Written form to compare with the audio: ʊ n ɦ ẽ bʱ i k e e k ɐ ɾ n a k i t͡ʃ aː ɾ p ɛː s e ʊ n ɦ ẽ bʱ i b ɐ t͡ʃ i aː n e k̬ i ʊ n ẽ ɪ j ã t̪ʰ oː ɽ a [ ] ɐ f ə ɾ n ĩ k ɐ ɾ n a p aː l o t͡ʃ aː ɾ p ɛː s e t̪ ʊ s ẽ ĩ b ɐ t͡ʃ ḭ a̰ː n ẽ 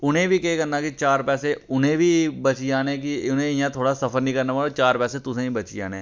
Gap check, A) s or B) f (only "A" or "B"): A